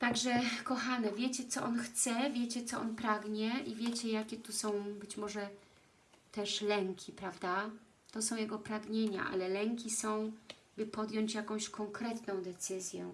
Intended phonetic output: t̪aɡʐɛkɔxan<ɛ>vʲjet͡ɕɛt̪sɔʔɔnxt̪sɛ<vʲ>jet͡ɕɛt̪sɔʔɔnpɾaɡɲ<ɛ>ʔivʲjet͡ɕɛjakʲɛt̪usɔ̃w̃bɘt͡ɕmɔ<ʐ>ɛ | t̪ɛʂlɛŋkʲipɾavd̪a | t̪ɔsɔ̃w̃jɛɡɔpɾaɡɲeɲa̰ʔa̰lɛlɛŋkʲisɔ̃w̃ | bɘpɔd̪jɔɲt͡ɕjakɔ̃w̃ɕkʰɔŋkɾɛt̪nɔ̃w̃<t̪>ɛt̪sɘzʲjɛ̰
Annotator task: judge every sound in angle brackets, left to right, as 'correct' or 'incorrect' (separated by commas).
correct, correct, correct, correct, incorrect